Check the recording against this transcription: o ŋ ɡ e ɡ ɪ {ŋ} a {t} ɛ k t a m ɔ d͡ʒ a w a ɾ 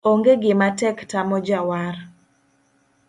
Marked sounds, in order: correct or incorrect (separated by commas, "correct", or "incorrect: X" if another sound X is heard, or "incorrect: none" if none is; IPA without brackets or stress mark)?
incorrect: m, correct